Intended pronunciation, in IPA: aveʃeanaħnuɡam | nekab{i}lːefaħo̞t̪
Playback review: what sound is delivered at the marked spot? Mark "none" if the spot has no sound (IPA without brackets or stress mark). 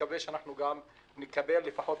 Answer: e